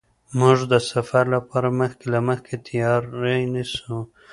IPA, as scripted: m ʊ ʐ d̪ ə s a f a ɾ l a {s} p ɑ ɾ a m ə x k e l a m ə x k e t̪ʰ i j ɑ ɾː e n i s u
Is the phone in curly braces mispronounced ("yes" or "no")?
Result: yes